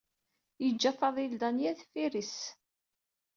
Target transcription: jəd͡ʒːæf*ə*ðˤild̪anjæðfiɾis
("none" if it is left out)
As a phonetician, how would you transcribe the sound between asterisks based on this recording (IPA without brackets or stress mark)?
ɑ